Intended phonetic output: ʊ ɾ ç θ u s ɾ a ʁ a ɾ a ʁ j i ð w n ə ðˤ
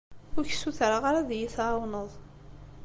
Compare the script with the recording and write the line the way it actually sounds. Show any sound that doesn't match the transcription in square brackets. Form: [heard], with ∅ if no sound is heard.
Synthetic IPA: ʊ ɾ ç [s] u [θ] ɾ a ʁ a ɾ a [ð] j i [θ] w n ə ðˤ